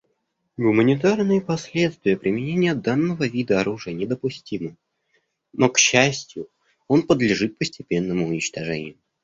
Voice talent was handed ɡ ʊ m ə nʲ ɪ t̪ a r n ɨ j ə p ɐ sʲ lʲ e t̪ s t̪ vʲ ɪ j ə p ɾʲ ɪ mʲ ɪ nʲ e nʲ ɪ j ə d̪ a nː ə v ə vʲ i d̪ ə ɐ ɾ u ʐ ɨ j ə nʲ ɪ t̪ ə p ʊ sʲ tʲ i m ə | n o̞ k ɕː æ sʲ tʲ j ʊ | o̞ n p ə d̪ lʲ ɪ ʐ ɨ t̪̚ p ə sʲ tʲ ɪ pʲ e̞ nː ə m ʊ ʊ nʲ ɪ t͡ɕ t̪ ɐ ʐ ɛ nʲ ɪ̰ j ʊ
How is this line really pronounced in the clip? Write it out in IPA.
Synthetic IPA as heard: ɡ ʊ m ə nʲ ɪ t̪ a r n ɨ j ə p ɐ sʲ lʲ e t̪ s t̪ vʲ ɪ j ə p ɾʲ ɪ mʲ ɪ nʲ e nʲ ɪ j ə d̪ a nː ə v ə vʲ i d̪ ə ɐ ɾ u ʐ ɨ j ə nʲ ɪ d̪ ə p ʊ sʲ tʲ i m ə | n o̞ k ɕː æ sʲ tʲ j ʊ | o̞ n p ə d̪ lʲ ɪ ʐ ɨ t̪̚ p ə sʲ tʲ ɪ pʲ e̞ nː ə m ʊ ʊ nʲ ɪ t͡ɕ t̪ ɐ ʐ ɛ nʲ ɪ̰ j ʊ